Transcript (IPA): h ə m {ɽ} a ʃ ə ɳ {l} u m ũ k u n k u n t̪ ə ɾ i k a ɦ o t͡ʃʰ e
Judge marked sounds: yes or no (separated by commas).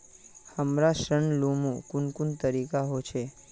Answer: no, yes